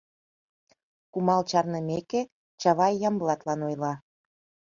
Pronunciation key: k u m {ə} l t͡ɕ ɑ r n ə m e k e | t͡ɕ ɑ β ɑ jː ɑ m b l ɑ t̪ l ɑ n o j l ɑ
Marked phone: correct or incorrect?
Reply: incorrect